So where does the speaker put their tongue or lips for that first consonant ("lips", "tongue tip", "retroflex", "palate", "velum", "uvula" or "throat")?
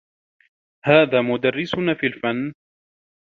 throat